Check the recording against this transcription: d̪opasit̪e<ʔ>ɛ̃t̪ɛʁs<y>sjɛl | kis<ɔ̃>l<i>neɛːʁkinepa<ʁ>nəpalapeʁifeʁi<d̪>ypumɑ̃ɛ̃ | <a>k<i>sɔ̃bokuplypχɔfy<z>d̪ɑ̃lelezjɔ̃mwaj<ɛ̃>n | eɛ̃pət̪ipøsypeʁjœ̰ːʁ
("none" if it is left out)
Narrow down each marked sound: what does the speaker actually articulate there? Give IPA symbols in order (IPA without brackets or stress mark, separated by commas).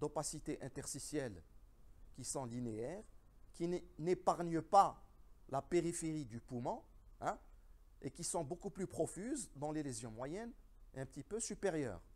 ʔ, i, ɔ̃, i, ʁ, d̪, e, i, z, ɛ